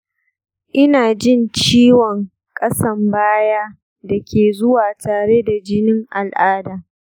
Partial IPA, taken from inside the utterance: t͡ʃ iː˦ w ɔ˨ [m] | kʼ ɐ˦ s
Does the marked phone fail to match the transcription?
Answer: yes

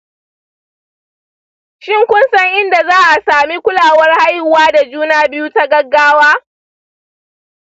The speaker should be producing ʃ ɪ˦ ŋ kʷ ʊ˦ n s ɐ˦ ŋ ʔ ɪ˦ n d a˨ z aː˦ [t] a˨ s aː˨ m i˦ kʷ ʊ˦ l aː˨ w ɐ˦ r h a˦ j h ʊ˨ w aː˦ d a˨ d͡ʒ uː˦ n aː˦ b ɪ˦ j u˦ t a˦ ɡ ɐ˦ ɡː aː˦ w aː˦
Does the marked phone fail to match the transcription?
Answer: yes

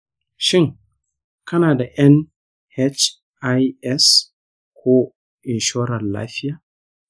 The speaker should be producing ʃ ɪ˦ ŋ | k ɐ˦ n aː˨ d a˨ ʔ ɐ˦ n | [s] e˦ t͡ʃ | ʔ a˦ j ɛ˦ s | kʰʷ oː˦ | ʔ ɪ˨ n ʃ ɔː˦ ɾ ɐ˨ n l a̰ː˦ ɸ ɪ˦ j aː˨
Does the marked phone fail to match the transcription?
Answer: yes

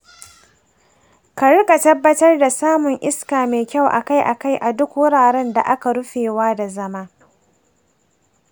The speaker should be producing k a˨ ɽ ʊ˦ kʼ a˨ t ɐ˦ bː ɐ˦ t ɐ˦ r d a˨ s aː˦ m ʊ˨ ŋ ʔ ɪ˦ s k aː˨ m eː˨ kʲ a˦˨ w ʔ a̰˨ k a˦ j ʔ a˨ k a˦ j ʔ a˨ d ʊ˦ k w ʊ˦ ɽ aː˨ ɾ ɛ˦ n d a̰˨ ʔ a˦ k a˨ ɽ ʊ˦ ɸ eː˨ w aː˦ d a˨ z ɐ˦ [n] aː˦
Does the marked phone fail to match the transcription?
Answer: yes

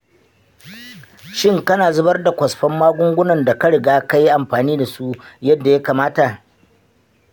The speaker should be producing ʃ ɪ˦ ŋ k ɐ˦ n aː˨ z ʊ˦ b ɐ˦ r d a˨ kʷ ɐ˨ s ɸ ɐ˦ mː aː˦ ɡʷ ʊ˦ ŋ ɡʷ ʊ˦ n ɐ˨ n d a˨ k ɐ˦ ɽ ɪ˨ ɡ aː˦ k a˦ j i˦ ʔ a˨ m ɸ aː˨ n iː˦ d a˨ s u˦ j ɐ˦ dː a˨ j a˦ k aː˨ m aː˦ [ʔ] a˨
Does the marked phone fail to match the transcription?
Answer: yes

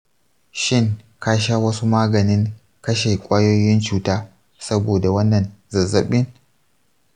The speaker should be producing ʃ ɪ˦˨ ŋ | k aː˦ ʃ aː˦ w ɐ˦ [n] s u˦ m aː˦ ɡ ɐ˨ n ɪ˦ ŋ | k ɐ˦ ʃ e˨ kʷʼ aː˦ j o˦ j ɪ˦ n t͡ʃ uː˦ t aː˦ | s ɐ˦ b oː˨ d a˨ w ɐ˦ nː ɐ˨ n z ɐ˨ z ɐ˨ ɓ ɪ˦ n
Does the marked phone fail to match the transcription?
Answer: yes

